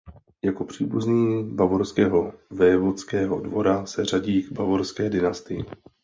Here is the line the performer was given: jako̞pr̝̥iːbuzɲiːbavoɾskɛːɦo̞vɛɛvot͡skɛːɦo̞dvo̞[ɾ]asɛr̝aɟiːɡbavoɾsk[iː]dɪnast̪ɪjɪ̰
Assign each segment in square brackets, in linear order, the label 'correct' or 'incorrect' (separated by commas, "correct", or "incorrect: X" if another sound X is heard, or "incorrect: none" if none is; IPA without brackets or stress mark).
correct, incorrect: ɛː